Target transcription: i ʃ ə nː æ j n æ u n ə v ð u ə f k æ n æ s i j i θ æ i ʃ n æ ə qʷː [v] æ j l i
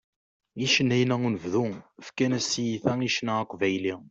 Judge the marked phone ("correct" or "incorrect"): correct